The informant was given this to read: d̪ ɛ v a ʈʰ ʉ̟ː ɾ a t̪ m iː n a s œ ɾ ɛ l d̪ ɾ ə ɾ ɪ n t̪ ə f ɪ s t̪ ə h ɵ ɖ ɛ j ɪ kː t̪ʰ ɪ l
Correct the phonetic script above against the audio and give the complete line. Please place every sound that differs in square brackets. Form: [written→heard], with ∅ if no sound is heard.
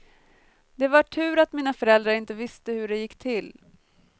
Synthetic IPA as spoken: d̪ ɛ v a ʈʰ ʉ̟ː ɾ a t̪ m iː n a [s→f] œ ɾ ɛ l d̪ ɾ [ə→a] ɾ ɪ n t̪ ə [f→v] ɪ s t̪ ə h ɵ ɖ ɛ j ɪ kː t̪ʰ ɪ l